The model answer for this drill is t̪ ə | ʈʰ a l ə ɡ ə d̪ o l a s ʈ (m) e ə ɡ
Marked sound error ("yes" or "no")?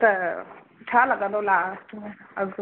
no